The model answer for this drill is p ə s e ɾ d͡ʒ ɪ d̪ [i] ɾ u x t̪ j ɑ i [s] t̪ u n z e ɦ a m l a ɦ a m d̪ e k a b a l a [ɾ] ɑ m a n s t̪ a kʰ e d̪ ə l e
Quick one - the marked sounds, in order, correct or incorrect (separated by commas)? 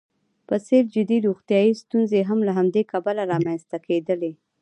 correct, correct, correct